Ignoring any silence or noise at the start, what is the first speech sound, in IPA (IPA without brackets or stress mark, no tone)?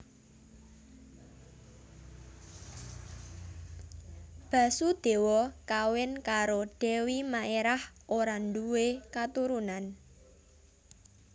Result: b̥